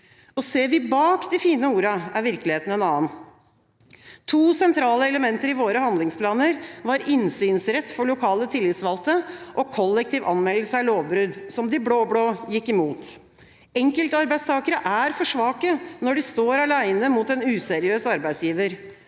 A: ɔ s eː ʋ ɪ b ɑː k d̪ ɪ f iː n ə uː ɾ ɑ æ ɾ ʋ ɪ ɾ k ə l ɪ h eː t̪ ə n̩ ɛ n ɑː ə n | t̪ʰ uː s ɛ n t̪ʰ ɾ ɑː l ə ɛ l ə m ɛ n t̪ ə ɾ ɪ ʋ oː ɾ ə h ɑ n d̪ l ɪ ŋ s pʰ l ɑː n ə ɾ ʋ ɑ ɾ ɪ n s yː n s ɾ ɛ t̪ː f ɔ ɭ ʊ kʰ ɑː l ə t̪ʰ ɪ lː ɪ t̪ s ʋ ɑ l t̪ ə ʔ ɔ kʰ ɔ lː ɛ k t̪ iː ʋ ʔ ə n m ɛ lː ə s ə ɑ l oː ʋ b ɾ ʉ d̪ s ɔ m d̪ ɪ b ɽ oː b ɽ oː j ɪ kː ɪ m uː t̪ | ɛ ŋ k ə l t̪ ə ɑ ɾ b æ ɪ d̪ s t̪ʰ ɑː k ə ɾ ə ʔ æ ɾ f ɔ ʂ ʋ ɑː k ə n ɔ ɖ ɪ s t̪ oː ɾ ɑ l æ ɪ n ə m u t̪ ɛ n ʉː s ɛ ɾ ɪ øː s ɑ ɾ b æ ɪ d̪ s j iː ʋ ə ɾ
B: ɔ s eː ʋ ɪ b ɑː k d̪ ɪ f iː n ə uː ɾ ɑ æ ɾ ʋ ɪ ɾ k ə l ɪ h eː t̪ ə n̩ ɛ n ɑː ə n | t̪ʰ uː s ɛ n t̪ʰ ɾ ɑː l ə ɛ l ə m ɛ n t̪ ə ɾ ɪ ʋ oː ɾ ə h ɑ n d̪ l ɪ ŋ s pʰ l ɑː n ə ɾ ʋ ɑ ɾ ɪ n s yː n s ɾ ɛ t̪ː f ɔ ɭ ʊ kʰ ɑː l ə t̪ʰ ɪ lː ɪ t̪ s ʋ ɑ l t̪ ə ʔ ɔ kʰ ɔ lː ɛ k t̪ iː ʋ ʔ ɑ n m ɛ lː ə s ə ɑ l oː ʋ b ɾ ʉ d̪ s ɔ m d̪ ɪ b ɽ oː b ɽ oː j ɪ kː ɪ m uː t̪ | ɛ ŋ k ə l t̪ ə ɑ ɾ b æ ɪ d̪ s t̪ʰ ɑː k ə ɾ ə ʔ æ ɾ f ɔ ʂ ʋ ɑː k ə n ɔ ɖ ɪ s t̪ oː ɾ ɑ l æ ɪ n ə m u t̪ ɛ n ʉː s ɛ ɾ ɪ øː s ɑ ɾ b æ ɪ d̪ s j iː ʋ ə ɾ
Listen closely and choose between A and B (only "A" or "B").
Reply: B